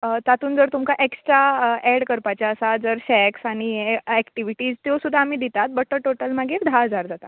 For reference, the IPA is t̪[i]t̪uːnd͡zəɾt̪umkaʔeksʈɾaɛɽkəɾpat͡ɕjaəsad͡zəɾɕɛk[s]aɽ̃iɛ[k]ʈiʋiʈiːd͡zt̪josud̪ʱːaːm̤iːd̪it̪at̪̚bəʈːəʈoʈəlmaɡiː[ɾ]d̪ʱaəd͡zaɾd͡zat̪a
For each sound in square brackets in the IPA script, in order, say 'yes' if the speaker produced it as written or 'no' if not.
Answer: no, yes, yes, yes

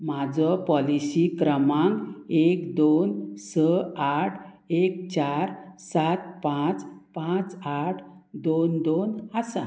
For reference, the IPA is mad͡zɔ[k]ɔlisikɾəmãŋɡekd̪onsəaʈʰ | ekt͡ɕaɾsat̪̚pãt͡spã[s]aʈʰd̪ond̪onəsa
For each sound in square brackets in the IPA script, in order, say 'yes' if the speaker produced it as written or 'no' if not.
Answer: no, no

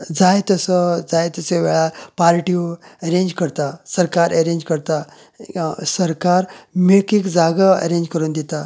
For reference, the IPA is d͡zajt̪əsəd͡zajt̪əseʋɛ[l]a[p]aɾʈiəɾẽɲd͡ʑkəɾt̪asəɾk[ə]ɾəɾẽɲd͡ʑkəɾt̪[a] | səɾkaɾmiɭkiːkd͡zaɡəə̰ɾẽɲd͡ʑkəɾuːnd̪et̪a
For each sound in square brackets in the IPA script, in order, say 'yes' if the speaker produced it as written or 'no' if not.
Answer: no, yes, no, yes

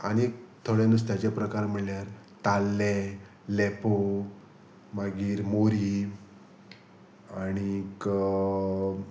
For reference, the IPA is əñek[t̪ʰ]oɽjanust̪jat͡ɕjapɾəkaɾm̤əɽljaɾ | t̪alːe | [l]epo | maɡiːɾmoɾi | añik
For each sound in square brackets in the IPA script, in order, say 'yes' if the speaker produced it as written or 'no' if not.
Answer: yes, yes

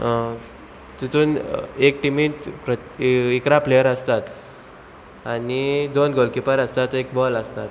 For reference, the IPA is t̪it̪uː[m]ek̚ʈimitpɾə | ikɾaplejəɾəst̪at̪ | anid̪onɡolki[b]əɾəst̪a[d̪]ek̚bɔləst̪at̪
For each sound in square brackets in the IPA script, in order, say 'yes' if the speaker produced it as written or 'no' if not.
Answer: no, no, no

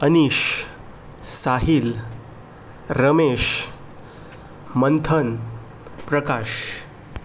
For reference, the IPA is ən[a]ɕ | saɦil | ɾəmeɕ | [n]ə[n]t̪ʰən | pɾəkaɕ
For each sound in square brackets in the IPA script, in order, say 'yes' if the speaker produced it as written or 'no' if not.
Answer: no, no, yes

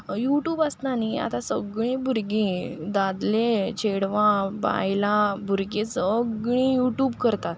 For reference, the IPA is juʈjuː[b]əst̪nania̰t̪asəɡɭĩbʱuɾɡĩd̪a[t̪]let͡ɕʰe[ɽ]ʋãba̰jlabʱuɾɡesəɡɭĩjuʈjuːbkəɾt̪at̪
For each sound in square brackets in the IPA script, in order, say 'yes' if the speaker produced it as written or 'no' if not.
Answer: yes, no, yes

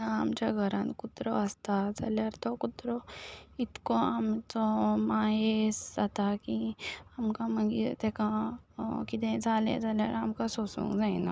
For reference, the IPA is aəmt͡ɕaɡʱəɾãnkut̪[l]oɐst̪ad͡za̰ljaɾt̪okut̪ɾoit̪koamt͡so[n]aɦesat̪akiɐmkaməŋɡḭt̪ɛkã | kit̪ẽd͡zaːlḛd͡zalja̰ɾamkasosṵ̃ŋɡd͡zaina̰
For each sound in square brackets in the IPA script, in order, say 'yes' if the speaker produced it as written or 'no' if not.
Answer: no, no

